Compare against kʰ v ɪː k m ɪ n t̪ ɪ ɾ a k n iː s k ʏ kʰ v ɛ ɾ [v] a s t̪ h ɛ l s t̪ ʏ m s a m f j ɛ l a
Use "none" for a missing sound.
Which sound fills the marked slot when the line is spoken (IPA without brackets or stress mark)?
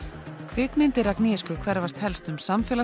v